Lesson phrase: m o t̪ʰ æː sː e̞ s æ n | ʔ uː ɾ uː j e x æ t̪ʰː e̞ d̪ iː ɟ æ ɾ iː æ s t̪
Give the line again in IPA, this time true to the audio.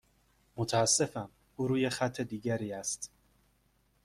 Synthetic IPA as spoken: m o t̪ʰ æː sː e̞ f æ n | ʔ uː ɾ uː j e x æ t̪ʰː e̞ d̪ iː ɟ æ ɾ iː æ s t̪